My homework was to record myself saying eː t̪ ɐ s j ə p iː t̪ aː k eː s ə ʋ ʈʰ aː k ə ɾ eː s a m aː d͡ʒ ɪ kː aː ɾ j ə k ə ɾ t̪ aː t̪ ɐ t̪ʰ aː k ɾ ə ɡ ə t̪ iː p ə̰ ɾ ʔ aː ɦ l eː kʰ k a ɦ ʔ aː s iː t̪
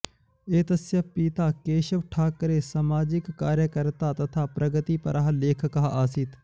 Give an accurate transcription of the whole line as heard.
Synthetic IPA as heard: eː t̪ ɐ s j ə p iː t̪ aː k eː ʃ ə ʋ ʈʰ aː k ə ɾ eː s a m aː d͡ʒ ɪ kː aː ɾ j ə k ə ɾ t̪ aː t̪ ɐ t̪ʰ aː p ɾ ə ɡ ə t̪ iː p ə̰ ɾ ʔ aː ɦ l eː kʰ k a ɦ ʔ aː s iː t̪